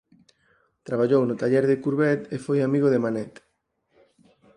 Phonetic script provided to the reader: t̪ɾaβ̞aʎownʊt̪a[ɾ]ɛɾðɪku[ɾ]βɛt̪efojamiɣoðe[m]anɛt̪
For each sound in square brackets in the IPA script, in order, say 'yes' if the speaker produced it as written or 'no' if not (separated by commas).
no, yes, yes